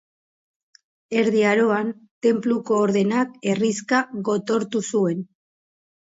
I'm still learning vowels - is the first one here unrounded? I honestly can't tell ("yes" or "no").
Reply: yes